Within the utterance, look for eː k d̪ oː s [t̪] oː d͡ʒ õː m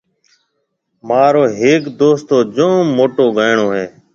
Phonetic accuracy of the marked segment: correct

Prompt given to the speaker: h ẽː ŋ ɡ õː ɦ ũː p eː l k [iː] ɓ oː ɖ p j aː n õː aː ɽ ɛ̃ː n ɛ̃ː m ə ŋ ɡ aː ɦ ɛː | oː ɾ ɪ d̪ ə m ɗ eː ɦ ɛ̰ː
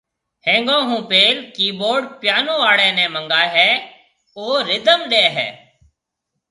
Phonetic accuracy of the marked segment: correct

